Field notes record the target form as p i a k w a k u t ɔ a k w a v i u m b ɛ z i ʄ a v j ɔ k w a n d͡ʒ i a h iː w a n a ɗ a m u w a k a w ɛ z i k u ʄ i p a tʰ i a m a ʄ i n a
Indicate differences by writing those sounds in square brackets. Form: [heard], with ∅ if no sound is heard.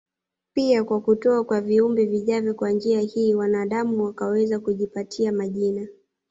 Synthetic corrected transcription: p i a k w a k u t ɔ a k w a v i u m b ɛ [v] i ʄ a v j ɔ k w a n d͡ʒ i a h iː w a n a ɗ a m u w a k a w ɛ z [a] k u ʄ i p a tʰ i a m a ʄ i n a

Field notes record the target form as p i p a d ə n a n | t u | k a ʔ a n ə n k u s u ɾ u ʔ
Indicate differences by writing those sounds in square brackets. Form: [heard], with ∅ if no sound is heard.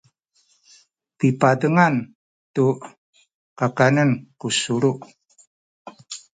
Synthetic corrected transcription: p i p a d ə [ŋ] a n | t u | k a [k] a n ə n k u s u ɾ u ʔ

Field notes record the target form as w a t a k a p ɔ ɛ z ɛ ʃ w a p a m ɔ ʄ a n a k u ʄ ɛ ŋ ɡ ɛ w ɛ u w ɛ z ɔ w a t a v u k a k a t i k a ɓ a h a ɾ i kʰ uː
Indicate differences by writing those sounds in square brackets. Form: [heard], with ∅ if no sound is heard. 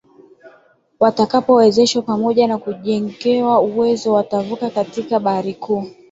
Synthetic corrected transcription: w a t a k a p ɔ ɛ z ɛ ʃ w a p a m ɔ ʄ a n a k u ʄ ɛ ŋ ɡ ɛ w [a] u w ɛ z ɔ w a t a v u k a k a t i k a ɓ a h a ɾ i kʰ uː

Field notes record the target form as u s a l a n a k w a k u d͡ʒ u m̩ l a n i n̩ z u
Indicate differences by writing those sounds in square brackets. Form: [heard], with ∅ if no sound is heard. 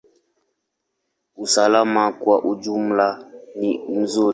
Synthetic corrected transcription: u s a l a [m] a k w a [ʔ] u d͡ʒ u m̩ l a n i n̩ z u

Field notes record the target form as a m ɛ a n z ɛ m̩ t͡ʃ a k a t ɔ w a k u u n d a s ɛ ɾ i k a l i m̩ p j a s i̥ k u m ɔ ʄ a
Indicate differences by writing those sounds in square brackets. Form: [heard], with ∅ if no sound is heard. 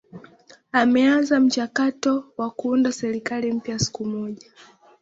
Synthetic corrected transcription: a m ɛ a n z [a] m̩ t͡ʃ a k a t ɔ w a k u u n d a s ɛ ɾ i k a l i m̩ p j a s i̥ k u m ɔ ʄ a

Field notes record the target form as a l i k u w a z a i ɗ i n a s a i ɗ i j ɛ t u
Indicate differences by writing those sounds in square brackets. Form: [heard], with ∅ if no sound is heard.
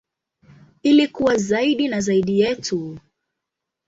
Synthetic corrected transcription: [i] l i k u w a z a i ɗ i n a [z] a i ɗ i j ɛ t u

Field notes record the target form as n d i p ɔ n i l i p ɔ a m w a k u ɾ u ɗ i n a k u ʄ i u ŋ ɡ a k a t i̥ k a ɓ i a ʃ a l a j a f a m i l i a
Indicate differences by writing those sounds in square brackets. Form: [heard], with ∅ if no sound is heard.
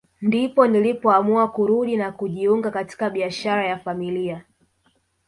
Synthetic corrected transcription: n d i p ɔ n i l i p ɔ a m [u] a k u ɾ u ɗ i n a k u ʄ i u ŋ ɡ a k a t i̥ k a ɓ i a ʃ a [ɾ] a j a f a m i l i a

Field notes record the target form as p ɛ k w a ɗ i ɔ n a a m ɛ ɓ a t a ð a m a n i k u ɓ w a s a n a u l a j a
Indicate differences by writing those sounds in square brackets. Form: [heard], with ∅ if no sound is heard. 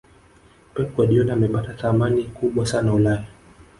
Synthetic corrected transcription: p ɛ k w a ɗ i ɔ n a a m ɛ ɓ a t a [θ] a m a n i k u ɓ w a s a n a u l a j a

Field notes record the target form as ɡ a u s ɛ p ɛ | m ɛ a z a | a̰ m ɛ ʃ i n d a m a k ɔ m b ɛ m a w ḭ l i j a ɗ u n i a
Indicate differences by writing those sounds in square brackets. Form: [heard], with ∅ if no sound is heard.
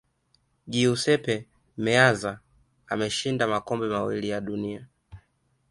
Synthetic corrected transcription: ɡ [i] u s ɛ p ɛ | m ɛ a z a | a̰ m ɛ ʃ i n d a m a k ɔ m b ɛ m a w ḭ l i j a ɗ u n i a

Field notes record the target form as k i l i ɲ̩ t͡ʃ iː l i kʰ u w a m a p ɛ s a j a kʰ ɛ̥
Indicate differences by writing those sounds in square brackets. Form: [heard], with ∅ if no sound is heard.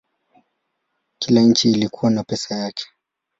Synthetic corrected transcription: k i l [a] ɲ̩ t͡ʃ iː l i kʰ u w a [n] a p ɛ s a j a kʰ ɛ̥

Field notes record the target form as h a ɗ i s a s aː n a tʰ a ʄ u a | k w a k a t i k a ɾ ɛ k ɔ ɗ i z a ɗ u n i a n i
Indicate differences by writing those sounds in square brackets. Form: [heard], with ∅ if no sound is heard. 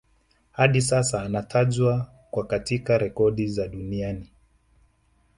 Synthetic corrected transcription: h a ɗ i s a s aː n a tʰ a ʄ [w] a | k w a k a t i k a ɾ ɛ k ɔ ɗ i z a ɗ u n i a n i

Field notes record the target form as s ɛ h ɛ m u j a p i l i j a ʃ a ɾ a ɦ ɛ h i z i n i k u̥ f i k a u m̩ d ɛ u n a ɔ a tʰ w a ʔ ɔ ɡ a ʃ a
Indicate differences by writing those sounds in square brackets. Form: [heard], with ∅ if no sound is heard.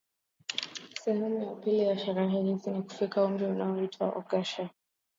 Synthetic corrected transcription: s ɛ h ɛ m u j a p i l i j a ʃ a ɾ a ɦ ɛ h i z i n i k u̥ f i k a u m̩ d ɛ u n a ɔ [i] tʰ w a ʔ ɔ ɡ a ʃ a

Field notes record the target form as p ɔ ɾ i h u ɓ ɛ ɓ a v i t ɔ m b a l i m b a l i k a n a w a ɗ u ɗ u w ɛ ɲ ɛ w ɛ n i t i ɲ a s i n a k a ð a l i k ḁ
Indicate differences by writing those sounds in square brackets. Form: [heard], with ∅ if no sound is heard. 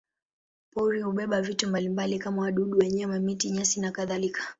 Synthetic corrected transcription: p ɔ ɾ i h u ɓ ɛ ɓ a v i t [u] m b a l i m b a l i k a [m] a w a ɗ u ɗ u w ɛ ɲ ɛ w ɛ [m] i t i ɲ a s i n a k a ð a l i k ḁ

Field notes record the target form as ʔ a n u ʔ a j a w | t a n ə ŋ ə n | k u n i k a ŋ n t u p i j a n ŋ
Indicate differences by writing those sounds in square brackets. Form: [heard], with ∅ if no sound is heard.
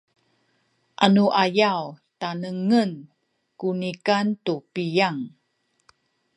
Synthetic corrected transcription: ʔ a n u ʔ a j a w | t a n ə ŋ ə n | k u n i k a [∅] n t u p i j a [∅] ŋ

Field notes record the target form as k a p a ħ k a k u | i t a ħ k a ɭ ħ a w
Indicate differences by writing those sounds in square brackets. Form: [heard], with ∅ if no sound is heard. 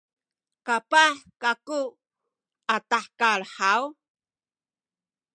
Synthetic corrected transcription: k a p a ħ k a k u | [a] t a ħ k a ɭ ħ a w

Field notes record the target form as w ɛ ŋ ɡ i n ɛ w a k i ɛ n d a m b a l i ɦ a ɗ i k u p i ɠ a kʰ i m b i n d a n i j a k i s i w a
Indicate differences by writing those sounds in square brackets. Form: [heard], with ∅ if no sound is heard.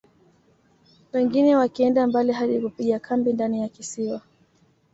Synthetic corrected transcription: w ɛ ŋ ɡ i n ɛ w a k i ɛ n d a m b a l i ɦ a ɗ i k u p i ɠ a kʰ [a] m b i n d a n i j a k i s i w a

